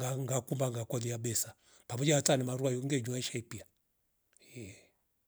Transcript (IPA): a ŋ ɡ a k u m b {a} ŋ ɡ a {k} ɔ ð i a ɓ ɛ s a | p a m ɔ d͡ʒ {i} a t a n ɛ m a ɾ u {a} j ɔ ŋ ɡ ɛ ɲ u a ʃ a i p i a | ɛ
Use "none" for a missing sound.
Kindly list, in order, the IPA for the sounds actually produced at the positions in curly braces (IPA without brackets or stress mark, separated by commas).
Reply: a, k, a, a